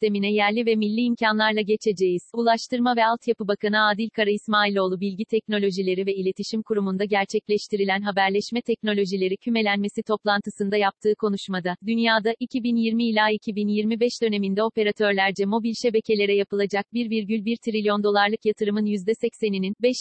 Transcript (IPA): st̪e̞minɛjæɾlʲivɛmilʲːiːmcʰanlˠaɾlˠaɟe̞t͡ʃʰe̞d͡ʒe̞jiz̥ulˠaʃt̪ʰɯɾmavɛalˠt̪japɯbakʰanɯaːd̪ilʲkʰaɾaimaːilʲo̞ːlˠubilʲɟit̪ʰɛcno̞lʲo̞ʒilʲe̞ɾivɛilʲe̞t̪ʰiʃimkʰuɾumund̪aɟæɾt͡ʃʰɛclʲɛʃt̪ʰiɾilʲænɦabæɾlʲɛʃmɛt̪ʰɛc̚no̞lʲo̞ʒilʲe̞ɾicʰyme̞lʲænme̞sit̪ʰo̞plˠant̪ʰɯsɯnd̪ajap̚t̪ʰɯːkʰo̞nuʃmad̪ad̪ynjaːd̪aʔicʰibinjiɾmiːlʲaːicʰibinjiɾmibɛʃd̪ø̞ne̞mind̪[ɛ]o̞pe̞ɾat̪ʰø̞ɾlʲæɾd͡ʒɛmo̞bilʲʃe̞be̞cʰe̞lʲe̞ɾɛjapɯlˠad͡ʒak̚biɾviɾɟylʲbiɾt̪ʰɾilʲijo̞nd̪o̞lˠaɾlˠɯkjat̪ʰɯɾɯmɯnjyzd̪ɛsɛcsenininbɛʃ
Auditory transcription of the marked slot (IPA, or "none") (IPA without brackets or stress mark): ɛ